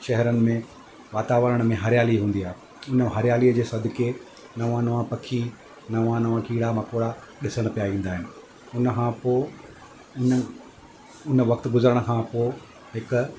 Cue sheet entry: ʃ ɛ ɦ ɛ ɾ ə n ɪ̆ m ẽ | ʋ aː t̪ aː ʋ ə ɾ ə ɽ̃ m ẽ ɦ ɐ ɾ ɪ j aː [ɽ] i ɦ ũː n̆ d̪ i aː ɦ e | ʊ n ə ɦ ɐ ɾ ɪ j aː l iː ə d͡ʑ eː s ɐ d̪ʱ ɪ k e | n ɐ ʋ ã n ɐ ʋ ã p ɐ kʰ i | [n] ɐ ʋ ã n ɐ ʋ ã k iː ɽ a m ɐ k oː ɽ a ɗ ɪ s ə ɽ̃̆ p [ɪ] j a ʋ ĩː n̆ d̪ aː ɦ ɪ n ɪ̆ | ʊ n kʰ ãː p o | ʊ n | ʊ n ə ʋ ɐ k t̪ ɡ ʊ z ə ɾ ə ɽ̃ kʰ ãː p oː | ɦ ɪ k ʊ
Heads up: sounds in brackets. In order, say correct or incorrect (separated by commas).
incorrect, correct, incorrect